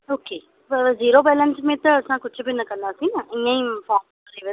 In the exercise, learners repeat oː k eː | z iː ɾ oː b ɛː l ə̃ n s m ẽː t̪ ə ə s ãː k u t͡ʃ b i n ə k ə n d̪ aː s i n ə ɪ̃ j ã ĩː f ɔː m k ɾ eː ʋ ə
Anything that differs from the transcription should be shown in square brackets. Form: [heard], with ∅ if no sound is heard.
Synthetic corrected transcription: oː k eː | z iː ɾ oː b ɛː l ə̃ n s m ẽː t̪ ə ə s ãː k [ʊ] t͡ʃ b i n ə k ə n d̪ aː s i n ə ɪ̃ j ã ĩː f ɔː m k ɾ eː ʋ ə

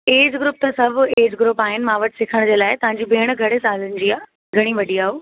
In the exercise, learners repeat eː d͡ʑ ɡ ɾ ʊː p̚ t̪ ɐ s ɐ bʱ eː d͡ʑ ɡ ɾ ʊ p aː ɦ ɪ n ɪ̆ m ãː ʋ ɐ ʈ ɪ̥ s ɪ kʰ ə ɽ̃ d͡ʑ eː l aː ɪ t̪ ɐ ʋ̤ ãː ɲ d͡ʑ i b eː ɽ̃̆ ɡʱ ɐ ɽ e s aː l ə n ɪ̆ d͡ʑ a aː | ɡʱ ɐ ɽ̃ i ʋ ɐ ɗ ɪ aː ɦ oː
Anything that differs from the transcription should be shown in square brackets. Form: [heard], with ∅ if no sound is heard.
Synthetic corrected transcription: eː d͡ʑ ɡ ɾ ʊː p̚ t̪ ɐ s ɐ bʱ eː d͡ʑ ɡ ɾ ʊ p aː ɦ ɪ n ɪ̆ m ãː ʋ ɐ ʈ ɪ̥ s ɪ kʰ ə ɽ̃ d͡ʑ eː l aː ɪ t̪ ɐ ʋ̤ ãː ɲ d͡ʑ i b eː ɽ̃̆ ɡʱ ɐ ɽ e s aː l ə n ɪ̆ d͡ʑ [i] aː | ɡʱ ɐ ɽ̃ i ʋ ɐ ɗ [i] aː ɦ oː

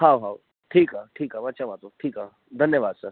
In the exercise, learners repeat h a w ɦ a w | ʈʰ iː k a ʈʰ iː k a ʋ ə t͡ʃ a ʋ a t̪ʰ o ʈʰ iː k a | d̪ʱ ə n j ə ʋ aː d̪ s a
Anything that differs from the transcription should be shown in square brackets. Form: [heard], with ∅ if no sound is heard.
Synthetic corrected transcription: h a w ɦ a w | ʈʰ iː k a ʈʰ iː k a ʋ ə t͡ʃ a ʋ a [t̪] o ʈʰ iː k a | d̪ʱ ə n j ə ʋ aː d̪ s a

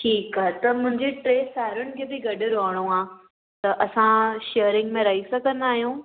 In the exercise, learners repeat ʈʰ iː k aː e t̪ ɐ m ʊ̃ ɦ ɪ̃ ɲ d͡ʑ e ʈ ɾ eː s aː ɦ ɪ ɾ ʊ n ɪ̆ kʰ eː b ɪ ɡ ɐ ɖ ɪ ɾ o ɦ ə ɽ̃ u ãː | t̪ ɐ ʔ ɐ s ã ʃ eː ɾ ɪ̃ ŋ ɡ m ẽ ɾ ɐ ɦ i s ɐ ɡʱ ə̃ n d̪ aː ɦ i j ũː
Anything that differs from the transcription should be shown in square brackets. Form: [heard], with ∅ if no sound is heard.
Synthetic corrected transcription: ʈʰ iː k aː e t̪ ɐ m ʊ̃ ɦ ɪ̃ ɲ d͡ʑ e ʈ ɾ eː s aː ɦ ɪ ɾ ʊ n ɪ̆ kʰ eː b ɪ ɡ ɐ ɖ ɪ ɾ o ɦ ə ɽ̃ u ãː | t̪ ɐ ʔ ɐ s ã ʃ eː ɾ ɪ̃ ŋ ɡ m ẽ ɾ ɐ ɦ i s ɐ ɡʱ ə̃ n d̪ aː ɦ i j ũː

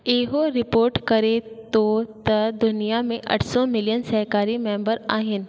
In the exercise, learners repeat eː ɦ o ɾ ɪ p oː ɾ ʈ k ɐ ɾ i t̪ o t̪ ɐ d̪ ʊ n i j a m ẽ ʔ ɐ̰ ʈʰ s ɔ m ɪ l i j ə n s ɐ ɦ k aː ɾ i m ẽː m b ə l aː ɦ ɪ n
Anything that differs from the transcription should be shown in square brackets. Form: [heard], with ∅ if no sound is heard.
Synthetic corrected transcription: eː ɦ o ɾ ɪ p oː ɾ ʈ k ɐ ɾ [e] t̪ o t̪ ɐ d̪ ʊ n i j a m ẽ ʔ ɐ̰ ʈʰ s ɔ m ɪ l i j ə n s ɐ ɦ k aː ɾ i m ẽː m b ə [ɾ] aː ɦ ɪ n

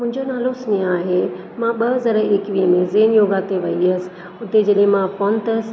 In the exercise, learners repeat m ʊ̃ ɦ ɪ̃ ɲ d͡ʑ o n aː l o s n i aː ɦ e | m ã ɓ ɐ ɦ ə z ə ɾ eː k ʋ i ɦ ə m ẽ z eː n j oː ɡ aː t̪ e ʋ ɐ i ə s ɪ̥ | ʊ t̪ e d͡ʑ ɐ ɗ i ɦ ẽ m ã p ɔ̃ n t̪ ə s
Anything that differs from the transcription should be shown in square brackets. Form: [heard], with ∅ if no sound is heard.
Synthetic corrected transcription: m ʊ̃ ɦ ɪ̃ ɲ d͡ʑ o n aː l o s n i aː ɦ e | m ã ɓ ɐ ɦ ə z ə ɾ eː k ʋ i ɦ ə m ẽ z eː n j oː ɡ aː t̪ e ʋ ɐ i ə s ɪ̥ | ʊ t̪ e d͡ʑ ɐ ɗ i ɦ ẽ m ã p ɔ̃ n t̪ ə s

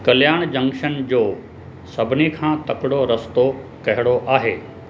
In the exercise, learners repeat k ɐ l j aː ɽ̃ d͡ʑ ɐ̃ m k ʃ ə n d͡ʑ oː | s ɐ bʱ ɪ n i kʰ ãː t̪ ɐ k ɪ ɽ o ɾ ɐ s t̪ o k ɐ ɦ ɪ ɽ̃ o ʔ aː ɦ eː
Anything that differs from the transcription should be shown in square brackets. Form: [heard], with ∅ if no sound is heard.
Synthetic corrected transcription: k ɐ l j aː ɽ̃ d͡ʑ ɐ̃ [ŋ] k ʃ ə n d͡ʑ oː | s ɐ bʱ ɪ n i kʰ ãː t̪ ɐ k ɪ ɽ o ɾ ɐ s t̪ o k ɐ ɦ ɪ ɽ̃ o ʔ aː ɦ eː

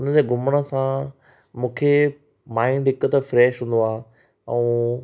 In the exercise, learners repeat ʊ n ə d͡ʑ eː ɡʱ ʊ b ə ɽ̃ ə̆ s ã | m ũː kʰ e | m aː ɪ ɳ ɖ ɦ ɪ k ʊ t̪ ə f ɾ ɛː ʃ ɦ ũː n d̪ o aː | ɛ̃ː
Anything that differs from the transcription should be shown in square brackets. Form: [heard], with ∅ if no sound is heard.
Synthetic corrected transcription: ʊ n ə d͡ʑ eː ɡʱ ʊ [m] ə ɽ̃ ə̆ s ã | m ũː kʰ e | m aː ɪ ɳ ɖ ɦ ɪ k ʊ t̪ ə f ɾ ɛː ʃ ɦ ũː n d̪ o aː | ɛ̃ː

